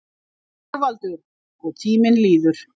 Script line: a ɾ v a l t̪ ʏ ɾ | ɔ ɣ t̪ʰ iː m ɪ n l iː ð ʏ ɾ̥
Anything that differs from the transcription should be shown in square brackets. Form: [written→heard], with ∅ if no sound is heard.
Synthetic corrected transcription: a ɾ v a l t̪ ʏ ɾ | ɔ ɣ t̪ʰ iː m ɪ n l iː ð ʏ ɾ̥

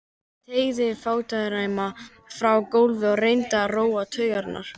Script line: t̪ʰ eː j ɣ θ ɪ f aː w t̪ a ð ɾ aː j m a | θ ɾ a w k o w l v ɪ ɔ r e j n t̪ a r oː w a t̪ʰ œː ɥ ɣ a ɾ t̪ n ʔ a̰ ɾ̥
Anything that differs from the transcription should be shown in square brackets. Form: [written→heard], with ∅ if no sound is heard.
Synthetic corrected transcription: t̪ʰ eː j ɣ [θ→ð] ɪ f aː w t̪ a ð ɾ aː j m a | [θ→f] ɾ a w k o w l v ɪ ɔ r e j n t̪ a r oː w a t̪ʰ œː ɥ ɣ a ɾ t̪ n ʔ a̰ ɾ̥

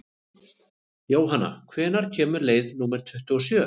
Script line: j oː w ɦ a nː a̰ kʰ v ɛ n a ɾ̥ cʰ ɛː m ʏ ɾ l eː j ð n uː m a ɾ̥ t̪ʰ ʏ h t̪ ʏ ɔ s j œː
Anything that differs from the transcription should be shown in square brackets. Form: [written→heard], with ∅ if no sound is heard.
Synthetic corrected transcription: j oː w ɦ a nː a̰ kʰ v [ɛ→ɛː] n a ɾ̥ cʰ ɛː m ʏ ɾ l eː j ð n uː m [a→ɛ] ɾ̥ t̪ʰ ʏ h t̪ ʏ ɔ s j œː

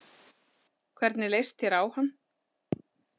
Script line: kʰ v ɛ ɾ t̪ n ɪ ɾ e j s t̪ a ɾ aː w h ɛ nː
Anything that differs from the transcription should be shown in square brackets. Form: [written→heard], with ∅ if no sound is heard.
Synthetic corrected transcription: kʰ v ɛ ɾ t̪ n ɪ [ɾ→l] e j s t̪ [a→ɛ] ɾ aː w h [ɛ→a] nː

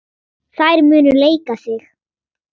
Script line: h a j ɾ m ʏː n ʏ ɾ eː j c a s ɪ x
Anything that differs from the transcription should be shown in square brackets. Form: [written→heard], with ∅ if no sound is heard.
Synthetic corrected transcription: [h→θ] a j ɾ m ʏː n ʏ [ɾ→l] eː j [c→k] a s ɪ x

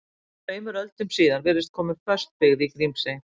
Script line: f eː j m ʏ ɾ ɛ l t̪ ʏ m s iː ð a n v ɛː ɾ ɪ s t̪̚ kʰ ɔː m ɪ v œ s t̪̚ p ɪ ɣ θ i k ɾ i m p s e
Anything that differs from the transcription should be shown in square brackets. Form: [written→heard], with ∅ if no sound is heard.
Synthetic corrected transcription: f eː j m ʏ ɾ [ɛ→œ] l t̪ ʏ m s iː ð a n v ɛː ɾ ɪ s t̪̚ kʰ ɔː m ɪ [v→f] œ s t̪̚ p ɪ ɣ [θ→ð] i k ɾ i m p s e

